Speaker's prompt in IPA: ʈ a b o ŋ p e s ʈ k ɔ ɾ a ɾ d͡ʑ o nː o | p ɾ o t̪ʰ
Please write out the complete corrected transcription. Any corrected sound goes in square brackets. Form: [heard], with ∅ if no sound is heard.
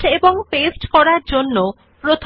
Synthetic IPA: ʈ [e] b o ŋ p e s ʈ k ɔ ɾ a ɾ d͡ʑ o nː o | p ɾ o t̪ʰ

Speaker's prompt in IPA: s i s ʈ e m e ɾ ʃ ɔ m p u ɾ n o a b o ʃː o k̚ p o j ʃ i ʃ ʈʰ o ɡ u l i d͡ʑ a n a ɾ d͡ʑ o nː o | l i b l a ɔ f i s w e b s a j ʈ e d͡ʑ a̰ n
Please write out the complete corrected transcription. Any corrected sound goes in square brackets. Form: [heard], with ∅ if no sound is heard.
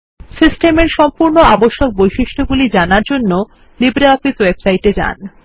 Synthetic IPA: s i s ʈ e m e ɾ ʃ ɔ m p u ɾ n o a b o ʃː o k̚ [b] o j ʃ i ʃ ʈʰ o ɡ u l i d͡ʑ a n a ɾ d͡ʑ o nː o | l i b [ɾ] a ɔ f i s w e b s a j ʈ e d͡ʑ a̰ n

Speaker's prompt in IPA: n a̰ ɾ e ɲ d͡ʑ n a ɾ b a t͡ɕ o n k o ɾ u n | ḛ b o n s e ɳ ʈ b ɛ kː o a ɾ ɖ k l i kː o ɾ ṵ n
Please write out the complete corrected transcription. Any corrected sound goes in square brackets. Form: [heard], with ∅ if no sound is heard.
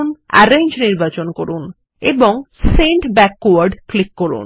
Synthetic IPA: n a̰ ɾ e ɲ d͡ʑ n [i] ɾ b a t͡ɕ o n k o ɾ u n | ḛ b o [ŋ] s e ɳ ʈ b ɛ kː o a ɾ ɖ k l i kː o ɾ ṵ n

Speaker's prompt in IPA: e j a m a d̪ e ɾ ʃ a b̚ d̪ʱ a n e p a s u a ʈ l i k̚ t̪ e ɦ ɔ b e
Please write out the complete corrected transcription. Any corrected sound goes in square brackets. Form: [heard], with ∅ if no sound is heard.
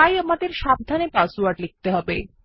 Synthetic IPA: [a] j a m a d̪ e ɾ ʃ a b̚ d̪ʱ a n e p a s u a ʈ l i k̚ t̪ e ɦ ɔ b e

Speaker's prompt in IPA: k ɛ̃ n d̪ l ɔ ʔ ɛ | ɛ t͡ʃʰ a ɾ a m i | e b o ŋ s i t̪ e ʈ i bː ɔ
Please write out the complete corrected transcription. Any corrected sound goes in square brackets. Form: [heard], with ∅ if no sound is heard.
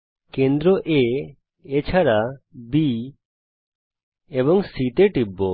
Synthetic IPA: k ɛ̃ n d̪ [ɾ] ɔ ʔ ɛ | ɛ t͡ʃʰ a ɾ a [b] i | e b [ɔ] ŋ s i t̪ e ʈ i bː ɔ

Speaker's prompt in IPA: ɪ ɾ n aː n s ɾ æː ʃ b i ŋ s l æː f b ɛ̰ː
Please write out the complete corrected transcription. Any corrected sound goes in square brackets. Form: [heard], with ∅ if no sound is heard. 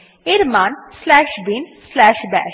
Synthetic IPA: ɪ ɾ [m] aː n s [l] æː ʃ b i [n] s l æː [ʃ] b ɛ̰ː

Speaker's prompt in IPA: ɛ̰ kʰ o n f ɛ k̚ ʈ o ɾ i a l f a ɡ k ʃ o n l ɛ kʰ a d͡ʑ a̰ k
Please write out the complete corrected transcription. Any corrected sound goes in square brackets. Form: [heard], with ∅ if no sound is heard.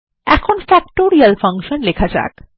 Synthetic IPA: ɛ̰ kʰ o n f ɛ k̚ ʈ o ɾ i a l f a [ŋ] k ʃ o n l [e] kʰ a d͡ʑ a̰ k

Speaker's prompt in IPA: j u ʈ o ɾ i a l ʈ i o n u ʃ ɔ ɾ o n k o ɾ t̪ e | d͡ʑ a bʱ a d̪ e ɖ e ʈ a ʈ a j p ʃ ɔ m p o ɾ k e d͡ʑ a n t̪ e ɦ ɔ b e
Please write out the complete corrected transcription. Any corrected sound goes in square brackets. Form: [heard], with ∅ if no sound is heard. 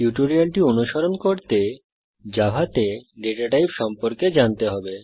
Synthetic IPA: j u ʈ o ɾ i a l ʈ i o n u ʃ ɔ ɾ o n k o ɾ t̪ e | d͡ʑ a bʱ a [t̪] e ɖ e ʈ a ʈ a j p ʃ ɔ m p o ɾ k e d͡ʑ a n t̪ e ɦ ɔ b e

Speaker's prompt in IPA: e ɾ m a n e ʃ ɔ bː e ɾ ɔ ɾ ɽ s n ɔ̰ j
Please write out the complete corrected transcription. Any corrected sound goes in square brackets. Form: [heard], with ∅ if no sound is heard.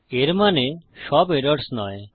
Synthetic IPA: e ɾ m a n e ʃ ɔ [b] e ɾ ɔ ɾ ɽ s n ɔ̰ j

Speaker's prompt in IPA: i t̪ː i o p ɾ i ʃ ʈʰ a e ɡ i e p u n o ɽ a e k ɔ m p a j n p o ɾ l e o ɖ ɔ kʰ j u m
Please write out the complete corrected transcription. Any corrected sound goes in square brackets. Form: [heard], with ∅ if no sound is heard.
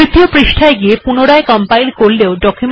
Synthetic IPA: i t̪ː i o p ɾ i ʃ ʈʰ a e ɡ i e p u n o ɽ a e k ɔ m p a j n [k] o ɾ l e o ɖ ɔ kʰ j u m

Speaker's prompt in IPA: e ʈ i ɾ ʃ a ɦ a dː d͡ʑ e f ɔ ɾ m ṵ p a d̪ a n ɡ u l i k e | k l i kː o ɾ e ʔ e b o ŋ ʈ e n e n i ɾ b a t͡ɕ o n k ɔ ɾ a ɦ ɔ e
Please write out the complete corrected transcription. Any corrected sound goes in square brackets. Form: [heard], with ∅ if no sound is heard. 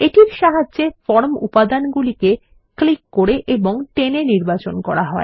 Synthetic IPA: e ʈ i ɾ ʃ a ɦ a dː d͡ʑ e f ɔ ɾ m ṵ p a d̪ a n ɡ u l i k e | k l i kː o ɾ e ʔ e b o ŋ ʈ e n e n i ɾ b a t͡ɕ o n k ɔ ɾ a ɦ ɔ e

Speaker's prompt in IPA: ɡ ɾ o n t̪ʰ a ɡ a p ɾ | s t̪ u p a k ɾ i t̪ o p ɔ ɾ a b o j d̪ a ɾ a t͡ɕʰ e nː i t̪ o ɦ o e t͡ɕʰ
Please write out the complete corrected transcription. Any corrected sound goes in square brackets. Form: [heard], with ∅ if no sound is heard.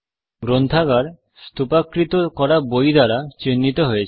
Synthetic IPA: ɡ ɾ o n t̪ʰ a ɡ a [∅] ɾ | s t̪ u p a k ɾ i t̪ o [k] ɔ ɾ a b o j d̪ a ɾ a [t͡ɕ] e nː i t̪ o ɦ o e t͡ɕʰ

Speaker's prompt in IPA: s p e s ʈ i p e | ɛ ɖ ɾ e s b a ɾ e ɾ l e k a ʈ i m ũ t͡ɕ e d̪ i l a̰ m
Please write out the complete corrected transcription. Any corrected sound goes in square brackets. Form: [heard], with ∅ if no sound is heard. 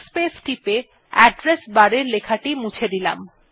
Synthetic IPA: s p e s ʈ i p e | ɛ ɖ ɾ e s b a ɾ e ɾ l e [kʰ] a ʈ i m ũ [t͡ɕʰ] e d̪ i l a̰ m

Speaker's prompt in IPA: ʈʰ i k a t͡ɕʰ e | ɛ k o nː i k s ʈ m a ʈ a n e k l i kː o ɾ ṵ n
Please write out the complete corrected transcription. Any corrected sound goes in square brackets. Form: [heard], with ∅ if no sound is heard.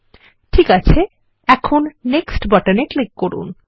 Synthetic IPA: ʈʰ i k a t͡ɕʰ e | ɛ [kʰ] o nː [e] k s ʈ [b] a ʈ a n e k l i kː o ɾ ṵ n

